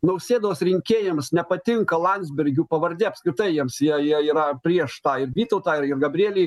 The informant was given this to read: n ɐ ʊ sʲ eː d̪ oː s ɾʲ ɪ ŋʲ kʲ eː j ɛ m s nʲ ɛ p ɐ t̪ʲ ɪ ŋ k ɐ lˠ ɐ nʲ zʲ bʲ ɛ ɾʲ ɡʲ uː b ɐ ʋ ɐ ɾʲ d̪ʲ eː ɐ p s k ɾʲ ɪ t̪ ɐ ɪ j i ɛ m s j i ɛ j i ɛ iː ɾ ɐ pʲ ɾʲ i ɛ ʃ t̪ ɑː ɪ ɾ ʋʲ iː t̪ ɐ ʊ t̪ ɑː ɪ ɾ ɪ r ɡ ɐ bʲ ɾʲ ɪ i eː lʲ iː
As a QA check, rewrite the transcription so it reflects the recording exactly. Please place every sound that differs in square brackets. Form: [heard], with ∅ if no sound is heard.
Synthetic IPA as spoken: n ɐ ʊ sʲ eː d̪ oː s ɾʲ ɪ ŋʲ kʲ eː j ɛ m s nʲ ɛ p ɐ t̪ʲ ɪ ŋ k ɐ lˠ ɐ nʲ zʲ bʲ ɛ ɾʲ ɡʲ uː [p] ɐ ʋ ɐ ɾʲ d̪ʲ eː ɐ p s k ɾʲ ɪ t̪ ɐ ɪ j i ɛ m s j i ɛ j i ɛ iː ɾ ɐ pʲ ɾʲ i ɛ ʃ t̪ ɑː ɪ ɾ ʋʲ iː t̪ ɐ ʊ t̪ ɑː ɪ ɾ ɪ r ɡ ɐ bʲ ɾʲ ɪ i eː lʲ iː